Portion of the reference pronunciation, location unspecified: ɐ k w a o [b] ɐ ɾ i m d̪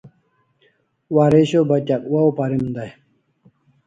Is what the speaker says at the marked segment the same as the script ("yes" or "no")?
no